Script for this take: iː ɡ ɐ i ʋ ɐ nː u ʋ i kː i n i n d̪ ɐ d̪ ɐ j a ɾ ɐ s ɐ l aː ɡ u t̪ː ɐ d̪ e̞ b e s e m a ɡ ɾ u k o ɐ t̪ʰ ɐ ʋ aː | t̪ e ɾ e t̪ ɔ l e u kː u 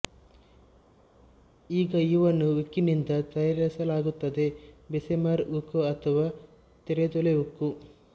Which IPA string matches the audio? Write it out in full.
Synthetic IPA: iː ɡ ɐ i ʋ ɐ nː u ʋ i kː i n i n d̪ ɐ t̪ ɐ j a ɾ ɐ s ɐ l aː ɡ u t̪ː ɐ d̪ e̞ b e s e m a ɾ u k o ɐ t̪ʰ ɐ ʋ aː | t̪ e ɾ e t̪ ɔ l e u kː u